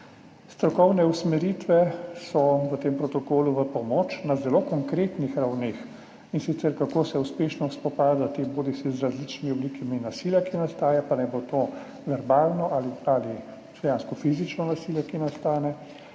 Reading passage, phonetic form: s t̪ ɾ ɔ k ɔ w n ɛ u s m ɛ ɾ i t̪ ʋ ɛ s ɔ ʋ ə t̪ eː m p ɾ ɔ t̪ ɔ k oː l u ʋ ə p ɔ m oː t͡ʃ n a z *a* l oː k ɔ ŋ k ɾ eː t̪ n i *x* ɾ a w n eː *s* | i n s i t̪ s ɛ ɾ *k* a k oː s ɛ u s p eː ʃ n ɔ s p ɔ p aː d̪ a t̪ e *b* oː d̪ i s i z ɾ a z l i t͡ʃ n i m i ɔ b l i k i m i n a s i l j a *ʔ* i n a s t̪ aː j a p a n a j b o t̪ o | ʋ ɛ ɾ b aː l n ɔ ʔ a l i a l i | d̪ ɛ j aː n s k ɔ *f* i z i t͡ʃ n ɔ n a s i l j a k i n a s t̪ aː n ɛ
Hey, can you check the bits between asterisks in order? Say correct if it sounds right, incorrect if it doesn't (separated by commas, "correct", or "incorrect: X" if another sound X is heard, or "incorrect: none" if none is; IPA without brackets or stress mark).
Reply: incorrect: ɛ, correct, incorrect: x, correct, correct, incorrect: k, correct